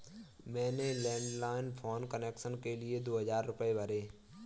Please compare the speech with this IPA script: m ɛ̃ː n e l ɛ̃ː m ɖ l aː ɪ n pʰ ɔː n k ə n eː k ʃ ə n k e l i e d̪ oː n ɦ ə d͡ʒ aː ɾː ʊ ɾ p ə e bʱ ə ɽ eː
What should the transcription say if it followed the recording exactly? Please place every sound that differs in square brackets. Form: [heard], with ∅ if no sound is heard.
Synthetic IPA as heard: m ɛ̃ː n e l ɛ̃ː [ɳ] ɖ l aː ɪ n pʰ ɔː n k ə n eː k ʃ ə n k e l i e d̪ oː [∅] ɦ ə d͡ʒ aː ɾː ʊ [∅] p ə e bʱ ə [ɾ] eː